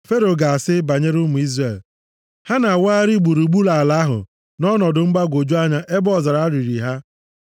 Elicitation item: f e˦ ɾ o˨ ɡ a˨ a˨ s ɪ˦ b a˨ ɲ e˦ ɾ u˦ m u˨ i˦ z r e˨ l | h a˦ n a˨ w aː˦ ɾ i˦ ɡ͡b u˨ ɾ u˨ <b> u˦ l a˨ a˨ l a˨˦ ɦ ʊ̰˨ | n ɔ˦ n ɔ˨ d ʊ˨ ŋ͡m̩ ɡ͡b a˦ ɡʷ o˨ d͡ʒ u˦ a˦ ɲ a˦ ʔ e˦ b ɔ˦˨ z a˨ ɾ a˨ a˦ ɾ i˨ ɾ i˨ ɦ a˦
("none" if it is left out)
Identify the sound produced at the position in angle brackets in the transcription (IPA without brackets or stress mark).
ɡ͡b